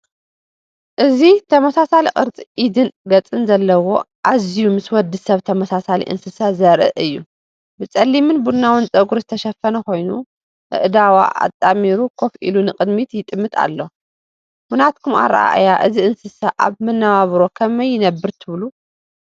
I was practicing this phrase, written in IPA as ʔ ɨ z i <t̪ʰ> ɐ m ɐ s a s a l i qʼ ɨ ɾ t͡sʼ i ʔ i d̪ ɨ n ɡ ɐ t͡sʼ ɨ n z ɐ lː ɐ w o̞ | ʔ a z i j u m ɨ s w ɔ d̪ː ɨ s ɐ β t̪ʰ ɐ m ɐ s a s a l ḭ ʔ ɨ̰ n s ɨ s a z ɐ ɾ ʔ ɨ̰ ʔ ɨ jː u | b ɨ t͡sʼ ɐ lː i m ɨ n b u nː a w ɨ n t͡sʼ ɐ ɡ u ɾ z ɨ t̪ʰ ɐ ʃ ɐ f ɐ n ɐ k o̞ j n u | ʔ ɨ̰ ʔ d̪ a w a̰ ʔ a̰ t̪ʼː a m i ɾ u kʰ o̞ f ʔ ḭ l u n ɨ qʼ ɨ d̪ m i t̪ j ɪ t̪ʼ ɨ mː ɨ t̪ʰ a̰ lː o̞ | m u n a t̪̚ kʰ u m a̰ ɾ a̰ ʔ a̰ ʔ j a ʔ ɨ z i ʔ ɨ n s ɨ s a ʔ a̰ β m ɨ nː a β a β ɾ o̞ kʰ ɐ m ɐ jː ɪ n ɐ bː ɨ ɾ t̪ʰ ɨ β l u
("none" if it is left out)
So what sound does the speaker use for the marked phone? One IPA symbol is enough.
t̪ʰ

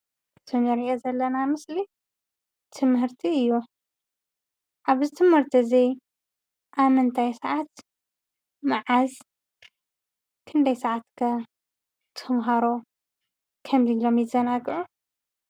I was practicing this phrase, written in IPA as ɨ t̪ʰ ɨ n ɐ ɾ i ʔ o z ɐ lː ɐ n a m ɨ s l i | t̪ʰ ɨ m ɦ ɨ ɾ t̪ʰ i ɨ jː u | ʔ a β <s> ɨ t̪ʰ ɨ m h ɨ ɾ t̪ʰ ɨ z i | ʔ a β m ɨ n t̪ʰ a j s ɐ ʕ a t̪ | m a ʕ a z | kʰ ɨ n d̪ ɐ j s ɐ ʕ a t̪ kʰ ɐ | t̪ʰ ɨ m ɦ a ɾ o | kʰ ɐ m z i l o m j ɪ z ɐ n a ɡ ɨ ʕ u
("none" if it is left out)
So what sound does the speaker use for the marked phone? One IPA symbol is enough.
z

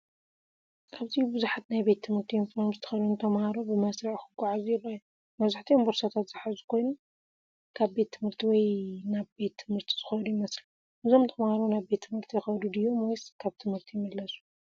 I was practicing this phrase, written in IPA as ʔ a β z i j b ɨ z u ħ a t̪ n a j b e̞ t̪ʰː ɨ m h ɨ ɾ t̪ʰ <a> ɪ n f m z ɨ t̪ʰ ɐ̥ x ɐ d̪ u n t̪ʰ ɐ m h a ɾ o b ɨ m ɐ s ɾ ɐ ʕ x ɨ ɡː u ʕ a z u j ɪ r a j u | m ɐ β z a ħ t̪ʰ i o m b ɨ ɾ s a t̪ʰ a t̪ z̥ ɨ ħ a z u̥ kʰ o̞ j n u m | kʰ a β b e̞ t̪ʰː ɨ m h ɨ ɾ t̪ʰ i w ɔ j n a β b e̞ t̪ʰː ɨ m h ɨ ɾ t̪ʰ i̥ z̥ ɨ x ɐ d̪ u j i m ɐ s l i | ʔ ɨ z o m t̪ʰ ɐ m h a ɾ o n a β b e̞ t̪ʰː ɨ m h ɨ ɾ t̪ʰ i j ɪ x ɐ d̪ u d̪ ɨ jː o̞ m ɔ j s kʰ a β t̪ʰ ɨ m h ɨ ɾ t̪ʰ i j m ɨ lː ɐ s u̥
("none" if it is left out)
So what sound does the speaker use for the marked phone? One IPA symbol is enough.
i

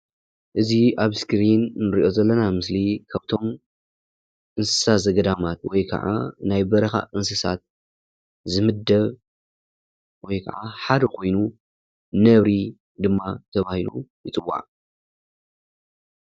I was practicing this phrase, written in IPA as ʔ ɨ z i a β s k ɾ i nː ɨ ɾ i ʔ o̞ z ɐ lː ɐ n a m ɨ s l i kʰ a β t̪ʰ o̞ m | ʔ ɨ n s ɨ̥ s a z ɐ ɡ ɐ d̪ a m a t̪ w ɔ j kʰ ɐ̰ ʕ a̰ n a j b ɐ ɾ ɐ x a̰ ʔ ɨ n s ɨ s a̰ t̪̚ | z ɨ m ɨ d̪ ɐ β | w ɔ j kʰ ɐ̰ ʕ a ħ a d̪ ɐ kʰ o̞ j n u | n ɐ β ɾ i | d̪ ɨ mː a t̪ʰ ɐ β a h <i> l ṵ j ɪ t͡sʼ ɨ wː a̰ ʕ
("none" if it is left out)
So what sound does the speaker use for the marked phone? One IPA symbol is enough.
i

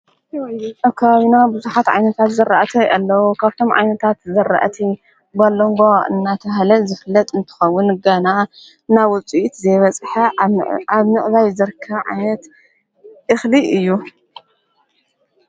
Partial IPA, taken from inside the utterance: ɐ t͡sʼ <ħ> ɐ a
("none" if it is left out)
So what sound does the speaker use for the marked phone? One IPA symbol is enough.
ħ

